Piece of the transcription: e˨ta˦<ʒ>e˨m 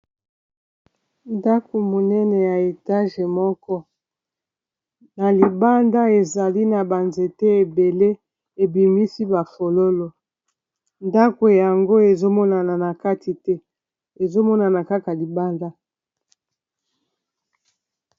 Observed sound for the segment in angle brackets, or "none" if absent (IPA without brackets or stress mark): ʒ